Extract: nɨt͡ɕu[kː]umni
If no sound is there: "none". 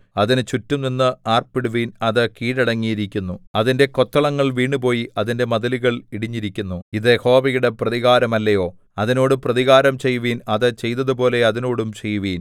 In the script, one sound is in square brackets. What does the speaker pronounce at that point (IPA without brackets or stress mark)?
tː